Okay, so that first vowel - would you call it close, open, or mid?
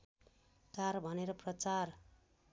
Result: open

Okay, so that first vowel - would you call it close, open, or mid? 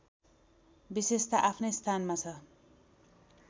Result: close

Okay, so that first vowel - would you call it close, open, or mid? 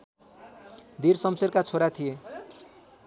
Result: close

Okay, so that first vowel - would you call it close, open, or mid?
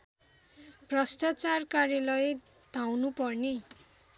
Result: mid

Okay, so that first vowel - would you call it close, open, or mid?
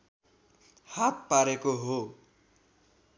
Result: open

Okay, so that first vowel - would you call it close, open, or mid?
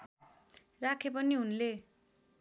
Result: open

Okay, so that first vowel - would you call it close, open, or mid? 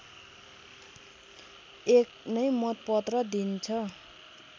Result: mid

